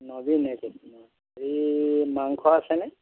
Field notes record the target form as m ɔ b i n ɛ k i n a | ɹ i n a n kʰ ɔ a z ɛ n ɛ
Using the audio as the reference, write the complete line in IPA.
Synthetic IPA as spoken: n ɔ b i n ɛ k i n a | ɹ i m a ŋ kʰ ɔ a s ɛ n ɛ

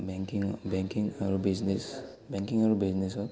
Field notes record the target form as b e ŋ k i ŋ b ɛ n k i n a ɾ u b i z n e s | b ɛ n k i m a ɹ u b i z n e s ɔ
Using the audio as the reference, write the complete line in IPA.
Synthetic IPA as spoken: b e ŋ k i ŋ b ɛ ŋ k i ŋ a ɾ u b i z n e s | b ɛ ŋ k i ŋ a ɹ u b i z n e s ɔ

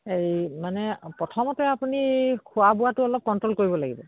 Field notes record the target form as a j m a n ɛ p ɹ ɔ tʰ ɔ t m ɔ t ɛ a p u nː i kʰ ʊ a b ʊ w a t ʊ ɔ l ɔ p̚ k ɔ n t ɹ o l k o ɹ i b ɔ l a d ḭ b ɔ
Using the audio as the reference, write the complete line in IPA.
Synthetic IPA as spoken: e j m a n ɛ p ɹ ɔ tʰ ɔ m ɔ t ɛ a p u n i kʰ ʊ a b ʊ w a t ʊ ɔ l ɔ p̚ k ɔ n t ɹ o l k o ɹ i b ɔ l a ɡ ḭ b ɔ

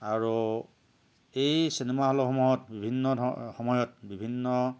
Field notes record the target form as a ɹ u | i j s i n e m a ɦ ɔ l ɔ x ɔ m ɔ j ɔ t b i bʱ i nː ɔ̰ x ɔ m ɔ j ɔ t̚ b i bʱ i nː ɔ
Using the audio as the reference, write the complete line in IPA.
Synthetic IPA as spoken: a ɹ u | e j s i n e m a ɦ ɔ l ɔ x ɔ m ɔ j ɔ t b i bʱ i nː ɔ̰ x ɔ m ɔ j ɔ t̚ b i bʱ i nː ɔ

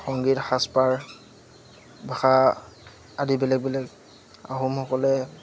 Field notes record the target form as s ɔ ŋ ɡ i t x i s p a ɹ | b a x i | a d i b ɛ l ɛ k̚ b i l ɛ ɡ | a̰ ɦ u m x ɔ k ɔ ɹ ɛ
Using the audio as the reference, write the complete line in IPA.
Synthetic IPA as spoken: x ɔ ŋ ɡ i t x a s p a ɹ | b a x a | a d i b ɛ l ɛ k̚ b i l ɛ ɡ | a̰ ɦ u m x ɔ k ɔ l ɛ

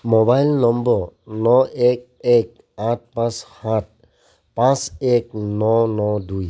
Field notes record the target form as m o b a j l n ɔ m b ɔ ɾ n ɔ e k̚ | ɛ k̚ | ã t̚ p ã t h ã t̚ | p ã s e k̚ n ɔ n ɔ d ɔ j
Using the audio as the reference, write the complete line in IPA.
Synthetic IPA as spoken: m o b a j l n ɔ m b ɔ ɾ n ɔ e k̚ | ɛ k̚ | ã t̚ p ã s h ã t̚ | p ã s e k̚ n ɔ n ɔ d u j

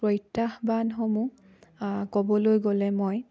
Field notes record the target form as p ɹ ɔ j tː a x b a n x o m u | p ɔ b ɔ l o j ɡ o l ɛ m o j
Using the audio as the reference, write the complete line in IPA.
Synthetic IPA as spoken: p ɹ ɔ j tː a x b a n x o m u | k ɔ b ɔ l o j ɡ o l ɛ m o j

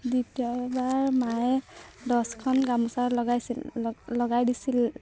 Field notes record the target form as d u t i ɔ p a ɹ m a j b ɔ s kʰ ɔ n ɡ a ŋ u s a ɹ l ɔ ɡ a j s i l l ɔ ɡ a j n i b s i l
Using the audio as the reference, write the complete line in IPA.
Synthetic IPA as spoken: d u t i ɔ b a ɹ m a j d ɔ s kʰ ɔ n ɡ a m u s a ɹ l ɔ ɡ a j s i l l ɔ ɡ a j d i s i l

